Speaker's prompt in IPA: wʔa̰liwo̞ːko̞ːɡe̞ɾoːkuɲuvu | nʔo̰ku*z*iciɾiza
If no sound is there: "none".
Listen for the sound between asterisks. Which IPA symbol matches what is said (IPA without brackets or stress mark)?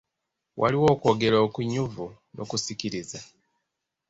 s